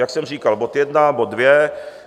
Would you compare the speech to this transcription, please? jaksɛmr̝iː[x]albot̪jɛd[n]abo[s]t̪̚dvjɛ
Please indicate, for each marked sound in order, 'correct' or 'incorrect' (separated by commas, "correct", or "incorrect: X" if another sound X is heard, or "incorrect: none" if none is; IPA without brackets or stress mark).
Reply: incorrect: k, correct, incorrect: none